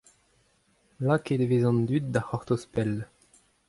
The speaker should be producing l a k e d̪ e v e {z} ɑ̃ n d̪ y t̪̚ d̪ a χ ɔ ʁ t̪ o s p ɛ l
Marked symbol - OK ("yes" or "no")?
yes